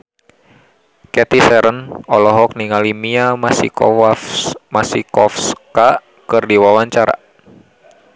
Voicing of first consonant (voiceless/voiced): voiceless